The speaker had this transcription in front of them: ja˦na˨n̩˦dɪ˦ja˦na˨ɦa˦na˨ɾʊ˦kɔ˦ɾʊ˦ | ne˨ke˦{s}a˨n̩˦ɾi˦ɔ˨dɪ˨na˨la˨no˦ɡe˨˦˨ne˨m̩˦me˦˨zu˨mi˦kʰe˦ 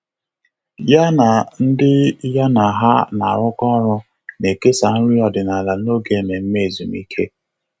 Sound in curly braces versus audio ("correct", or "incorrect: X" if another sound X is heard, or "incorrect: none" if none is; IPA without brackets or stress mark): correct